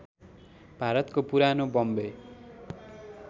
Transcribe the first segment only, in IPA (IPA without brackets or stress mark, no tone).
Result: bʱ